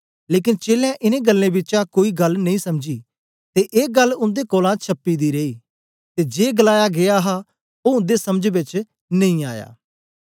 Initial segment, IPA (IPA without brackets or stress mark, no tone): l